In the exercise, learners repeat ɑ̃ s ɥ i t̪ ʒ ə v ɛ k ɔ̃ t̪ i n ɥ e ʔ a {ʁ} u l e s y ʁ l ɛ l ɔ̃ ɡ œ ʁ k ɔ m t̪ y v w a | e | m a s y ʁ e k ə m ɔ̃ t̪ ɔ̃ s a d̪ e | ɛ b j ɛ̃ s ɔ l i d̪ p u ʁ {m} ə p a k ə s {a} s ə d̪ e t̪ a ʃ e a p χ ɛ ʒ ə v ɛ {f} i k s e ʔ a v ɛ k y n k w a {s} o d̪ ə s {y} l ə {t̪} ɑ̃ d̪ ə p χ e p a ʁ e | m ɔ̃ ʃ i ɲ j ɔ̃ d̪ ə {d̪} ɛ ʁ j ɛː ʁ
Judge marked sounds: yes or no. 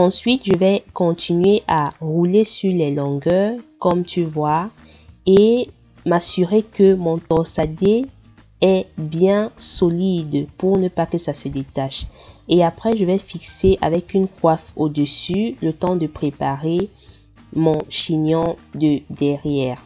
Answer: yes, no, yes, yes, no, yes, yes, yes

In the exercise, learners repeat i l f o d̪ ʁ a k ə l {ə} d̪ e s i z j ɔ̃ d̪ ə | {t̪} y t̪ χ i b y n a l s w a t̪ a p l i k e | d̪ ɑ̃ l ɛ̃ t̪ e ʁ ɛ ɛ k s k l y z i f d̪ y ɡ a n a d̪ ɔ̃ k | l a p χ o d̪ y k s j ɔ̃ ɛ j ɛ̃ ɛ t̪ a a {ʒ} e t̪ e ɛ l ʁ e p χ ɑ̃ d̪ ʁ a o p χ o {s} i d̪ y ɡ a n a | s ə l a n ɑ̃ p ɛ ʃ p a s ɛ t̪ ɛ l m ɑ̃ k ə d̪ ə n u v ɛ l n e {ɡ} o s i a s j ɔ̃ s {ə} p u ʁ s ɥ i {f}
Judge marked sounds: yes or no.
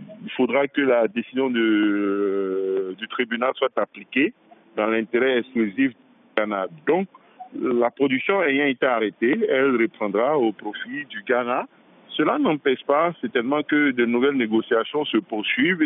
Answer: no, no, no, no, yes, yes, no

